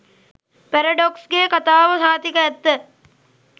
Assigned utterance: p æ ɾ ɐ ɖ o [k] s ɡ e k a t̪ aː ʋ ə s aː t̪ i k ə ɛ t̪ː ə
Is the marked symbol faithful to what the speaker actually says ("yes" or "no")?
yes